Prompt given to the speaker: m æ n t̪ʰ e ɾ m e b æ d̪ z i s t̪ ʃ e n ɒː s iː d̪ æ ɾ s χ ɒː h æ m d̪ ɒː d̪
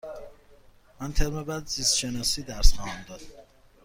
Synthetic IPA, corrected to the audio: m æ n t̪ʰ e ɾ m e b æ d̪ z i s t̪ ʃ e n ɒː s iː d̪ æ ɾ s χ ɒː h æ m d̪ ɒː d̪